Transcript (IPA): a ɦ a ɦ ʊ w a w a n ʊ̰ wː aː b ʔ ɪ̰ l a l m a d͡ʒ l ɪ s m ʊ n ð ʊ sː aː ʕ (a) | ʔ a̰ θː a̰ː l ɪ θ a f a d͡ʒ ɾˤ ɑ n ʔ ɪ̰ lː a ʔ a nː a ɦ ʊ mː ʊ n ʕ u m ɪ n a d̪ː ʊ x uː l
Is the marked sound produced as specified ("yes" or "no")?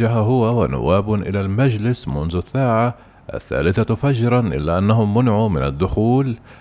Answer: yes